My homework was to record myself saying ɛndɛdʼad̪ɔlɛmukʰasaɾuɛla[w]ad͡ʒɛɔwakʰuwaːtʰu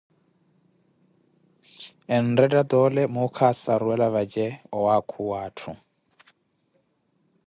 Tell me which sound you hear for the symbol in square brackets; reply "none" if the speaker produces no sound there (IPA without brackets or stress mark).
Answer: β